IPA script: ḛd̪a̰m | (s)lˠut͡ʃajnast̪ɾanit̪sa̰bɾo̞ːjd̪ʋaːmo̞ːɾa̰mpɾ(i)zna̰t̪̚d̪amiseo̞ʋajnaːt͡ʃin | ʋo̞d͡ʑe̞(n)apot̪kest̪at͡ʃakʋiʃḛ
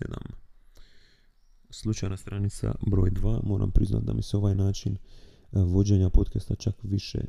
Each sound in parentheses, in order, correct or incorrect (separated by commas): correct, correct, incorrect